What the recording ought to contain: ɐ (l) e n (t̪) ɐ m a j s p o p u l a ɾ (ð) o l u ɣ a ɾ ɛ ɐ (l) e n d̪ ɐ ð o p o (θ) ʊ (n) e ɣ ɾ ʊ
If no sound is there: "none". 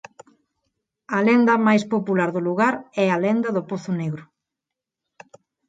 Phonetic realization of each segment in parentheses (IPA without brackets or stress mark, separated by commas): l, d̪, ð, l, θ, n